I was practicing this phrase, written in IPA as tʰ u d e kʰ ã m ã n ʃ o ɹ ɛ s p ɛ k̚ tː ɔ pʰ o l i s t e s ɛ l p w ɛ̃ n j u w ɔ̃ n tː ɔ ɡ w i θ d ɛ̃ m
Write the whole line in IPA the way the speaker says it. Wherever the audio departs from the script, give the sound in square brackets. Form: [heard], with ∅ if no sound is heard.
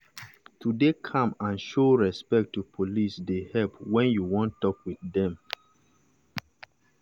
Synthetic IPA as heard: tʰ u d e kʰ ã m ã n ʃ o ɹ ɛ s p ɛ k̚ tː [u] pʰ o l i s [d] e [h] ɛ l p w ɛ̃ n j u w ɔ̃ n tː ɔ [k] w i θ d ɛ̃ m